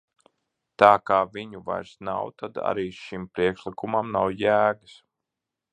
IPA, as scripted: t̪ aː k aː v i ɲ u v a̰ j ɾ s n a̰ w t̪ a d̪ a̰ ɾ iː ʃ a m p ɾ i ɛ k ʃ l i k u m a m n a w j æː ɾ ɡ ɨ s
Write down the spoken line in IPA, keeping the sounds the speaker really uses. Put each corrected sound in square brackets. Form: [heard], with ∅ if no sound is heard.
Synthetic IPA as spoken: t̪ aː k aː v i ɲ u v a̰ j ɾ s n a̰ w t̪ a d̪ a̰ ɾ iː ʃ [i] m p ɾ i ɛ k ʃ l i k u m a m n a w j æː [∅] ɡ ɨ s